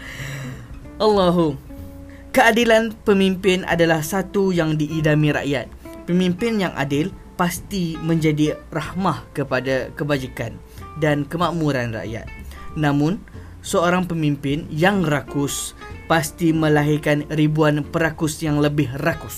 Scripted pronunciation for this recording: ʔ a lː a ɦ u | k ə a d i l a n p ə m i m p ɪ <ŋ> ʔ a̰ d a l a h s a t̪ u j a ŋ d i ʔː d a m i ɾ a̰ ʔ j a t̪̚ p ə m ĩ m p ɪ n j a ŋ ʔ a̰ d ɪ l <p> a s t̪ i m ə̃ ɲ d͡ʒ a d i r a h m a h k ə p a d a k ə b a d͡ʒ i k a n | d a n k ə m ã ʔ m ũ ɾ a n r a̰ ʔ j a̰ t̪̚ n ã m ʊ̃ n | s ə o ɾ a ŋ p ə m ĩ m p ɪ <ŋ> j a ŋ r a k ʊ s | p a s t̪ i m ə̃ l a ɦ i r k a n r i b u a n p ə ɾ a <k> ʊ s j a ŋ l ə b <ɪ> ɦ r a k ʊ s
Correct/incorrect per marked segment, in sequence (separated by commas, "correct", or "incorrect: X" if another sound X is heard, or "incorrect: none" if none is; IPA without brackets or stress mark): incorrect: n, correct, incorrect: n, correct, correct